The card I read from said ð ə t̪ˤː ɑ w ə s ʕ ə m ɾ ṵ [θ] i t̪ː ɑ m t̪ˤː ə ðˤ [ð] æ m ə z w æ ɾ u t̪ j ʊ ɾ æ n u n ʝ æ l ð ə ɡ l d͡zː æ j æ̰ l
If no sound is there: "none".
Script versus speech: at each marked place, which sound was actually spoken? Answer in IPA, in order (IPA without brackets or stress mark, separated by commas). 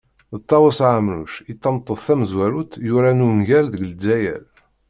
ʃ, θ